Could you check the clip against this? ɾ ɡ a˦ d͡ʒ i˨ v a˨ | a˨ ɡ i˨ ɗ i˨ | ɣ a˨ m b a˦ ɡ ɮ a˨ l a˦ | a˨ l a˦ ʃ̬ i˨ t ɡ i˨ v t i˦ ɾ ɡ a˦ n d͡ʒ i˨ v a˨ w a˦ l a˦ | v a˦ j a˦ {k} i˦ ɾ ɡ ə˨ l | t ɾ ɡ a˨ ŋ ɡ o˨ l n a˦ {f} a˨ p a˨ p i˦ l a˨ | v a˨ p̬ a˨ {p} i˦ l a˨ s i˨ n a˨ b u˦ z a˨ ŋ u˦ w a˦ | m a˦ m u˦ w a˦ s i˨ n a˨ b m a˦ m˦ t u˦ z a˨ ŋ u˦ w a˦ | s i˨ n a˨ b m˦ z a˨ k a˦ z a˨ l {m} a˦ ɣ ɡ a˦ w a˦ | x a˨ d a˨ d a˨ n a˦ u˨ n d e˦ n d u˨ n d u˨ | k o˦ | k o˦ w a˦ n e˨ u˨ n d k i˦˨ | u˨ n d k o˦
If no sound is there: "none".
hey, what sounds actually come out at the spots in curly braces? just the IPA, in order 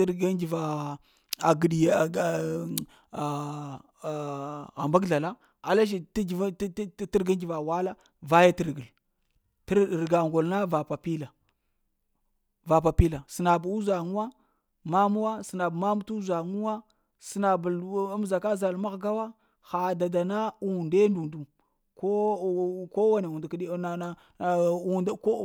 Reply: t, v, p, m

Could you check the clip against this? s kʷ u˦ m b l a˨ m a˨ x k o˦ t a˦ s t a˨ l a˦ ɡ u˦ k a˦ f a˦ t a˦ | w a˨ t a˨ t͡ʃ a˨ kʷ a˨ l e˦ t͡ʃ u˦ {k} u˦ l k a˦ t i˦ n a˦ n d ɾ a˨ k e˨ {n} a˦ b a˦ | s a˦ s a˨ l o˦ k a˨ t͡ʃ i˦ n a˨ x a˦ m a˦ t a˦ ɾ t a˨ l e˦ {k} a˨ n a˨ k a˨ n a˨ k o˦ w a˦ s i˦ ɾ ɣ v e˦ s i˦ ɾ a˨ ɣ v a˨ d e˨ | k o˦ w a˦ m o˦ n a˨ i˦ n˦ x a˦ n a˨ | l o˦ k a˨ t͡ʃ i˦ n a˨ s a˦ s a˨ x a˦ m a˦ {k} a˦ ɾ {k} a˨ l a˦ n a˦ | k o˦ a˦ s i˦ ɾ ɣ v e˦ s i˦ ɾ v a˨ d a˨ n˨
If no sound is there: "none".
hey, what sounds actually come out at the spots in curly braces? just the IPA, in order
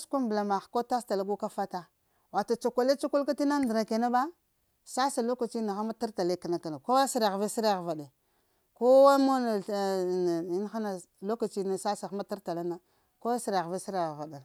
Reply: k, n, k, t, t

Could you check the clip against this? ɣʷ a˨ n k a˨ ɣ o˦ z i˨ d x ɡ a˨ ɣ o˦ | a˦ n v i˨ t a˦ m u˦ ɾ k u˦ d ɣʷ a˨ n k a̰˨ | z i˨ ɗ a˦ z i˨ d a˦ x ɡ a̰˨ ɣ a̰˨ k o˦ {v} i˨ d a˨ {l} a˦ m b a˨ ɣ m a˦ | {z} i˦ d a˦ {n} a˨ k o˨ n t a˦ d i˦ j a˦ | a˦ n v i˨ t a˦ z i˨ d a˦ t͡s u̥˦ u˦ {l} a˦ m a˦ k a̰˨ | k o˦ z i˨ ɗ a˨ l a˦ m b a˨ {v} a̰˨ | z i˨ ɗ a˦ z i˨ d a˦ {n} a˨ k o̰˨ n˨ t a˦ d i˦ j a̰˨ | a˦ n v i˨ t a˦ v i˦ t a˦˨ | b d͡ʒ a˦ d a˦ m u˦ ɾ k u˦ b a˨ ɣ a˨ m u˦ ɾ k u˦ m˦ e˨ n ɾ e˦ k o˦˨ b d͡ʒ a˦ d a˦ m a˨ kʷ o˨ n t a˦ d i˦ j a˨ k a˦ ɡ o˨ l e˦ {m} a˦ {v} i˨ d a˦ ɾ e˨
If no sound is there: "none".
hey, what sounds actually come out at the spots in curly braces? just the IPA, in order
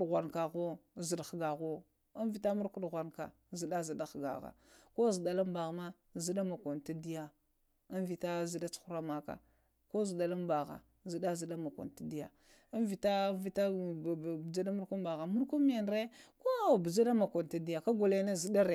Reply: z, l, z, m, ɾ, ɣ, m, n, z

